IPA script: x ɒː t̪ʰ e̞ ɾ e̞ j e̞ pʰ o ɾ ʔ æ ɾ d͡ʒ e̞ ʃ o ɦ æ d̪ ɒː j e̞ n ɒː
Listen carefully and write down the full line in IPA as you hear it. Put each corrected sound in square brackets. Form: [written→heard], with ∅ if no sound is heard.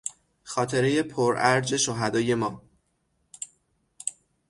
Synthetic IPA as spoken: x ɒː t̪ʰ e̞ ɾ e̞ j e̞ pʰ o ɾ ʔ æ ɾ d͡ʒ e̞ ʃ o ɦ æ d̪ ɒː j e̞ [n→m] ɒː